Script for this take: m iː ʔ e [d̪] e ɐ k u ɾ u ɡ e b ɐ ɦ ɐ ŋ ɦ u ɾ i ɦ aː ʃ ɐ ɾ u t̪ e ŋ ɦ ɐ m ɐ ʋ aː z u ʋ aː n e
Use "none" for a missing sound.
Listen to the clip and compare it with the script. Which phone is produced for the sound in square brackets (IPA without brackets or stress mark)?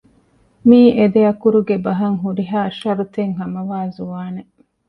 d̪